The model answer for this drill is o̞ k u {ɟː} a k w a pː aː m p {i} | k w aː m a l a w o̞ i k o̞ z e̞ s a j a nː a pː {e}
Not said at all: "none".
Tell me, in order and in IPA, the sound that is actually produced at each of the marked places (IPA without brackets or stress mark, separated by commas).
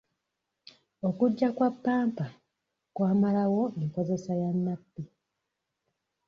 ɟː, a, i